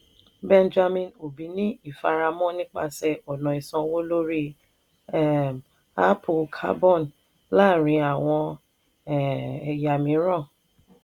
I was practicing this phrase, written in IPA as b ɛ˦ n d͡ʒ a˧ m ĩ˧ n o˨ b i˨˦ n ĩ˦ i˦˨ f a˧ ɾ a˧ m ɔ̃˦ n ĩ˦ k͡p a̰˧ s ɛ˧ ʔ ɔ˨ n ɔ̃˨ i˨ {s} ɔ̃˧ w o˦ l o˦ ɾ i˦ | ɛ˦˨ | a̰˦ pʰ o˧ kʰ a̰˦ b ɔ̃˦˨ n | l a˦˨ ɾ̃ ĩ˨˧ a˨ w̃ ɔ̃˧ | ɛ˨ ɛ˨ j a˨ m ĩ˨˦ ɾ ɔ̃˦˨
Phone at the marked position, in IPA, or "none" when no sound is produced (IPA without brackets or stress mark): s